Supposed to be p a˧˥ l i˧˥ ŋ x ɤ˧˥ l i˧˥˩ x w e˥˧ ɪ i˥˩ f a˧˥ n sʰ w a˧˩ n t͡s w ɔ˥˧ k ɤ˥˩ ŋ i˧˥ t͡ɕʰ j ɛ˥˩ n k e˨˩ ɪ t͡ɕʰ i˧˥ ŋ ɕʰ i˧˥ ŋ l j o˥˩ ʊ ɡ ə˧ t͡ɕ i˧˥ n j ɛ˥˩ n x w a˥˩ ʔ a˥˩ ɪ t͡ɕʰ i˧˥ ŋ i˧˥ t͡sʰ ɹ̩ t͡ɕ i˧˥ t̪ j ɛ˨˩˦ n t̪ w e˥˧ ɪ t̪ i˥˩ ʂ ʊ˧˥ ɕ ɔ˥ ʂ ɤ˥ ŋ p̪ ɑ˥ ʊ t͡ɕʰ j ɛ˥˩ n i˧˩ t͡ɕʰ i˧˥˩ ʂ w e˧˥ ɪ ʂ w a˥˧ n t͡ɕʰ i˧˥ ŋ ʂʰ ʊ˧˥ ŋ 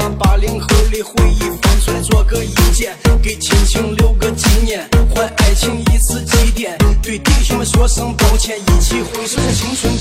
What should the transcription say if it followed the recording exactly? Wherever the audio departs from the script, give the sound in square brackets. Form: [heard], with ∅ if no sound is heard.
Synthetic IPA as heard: p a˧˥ l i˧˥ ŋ x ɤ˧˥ l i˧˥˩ x w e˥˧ ɪ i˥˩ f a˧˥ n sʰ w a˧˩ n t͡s w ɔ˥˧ k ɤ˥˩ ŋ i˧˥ [t͡ɕ] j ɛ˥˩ n k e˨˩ ɪ t͡ɕʰ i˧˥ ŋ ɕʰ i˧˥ ŋ l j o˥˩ ʊ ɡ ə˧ t͡ɕ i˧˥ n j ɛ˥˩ n x w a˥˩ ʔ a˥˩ ɪ t͡ɕʰ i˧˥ ŋ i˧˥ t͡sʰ ɹ̩ t͡ɕ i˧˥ t̪ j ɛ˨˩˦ n t̪ w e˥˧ ɪ t̪ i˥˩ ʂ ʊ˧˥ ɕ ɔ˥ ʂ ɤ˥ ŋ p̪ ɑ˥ ʊ t͡ɕʰ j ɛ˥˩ n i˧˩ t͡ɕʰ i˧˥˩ [x] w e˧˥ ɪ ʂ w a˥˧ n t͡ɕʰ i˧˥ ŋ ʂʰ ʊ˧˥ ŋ